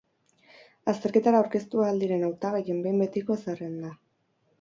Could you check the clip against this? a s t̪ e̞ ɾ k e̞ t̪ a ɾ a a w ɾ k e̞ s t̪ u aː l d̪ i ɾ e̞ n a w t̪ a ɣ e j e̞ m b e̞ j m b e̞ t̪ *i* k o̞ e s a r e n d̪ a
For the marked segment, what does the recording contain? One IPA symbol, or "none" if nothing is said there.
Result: i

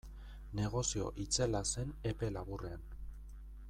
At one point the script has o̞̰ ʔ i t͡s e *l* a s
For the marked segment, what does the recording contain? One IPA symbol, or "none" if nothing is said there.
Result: l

